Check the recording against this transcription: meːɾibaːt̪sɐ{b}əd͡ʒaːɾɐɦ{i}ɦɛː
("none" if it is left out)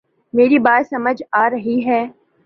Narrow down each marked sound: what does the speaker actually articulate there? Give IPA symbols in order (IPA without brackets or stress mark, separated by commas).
m, i